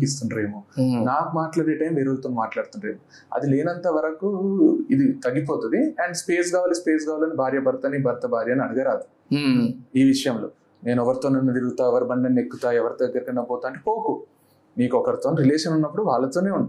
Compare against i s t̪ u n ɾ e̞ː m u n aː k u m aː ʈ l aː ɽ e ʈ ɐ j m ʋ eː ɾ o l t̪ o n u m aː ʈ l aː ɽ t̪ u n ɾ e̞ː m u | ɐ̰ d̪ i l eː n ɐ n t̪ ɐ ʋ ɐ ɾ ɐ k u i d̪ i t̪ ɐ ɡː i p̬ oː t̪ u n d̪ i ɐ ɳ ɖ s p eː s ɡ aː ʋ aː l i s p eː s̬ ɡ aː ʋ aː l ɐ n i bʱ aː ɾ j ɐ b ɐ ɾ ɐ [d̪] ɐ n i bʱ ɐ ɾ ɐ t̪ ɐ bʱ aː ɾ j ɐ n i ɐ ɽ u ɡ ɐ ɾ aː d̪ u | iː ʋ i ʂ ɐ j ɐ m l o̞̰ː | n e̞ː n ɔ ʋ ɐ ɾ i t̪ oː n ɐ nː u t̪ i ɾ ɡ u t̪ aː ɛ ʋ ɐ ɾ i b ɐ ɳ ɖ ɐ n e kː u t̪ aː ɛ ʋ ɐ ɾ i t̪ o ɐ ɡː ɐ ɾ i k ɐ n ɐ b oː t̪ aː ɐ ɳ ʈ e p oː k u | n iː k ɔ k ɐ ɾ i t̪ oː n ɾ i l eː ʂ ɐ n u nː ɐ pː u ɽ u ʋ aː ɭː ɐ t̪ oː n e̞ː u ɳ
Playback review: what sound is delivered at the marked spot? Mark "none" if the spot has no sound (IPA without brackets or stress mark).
t̪